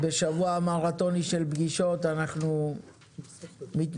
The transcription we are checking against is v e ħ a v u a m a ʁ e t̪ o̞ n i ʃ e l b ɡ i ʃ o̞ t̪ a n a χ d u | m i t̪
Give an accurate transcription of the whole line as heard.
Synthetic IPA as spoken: b e ʃ a v u a m a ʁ a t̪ o̞ n i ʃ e l b ɡ i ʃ o̞ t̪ a n a χ n u | m i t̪